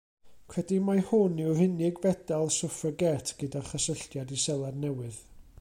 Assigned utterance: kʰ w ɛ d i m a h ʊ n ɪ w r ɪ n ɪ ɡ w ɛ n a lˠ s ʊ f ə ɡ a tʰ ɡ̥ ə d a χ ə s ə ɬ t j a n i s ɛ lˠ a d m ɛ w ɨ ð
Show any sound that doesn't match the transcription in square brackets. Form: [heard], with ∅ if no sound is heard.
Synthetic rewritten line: kʰ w ɛ d i m a h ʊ n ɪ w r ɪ n ɪ ɡ [v] ɛ [d] a lˠ s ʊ f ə ɡ [ɛ] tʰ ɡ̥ ə d a χ ə s ə ɬ t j a [d] i s ɛ lˠ a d [n] ɛ w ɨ ð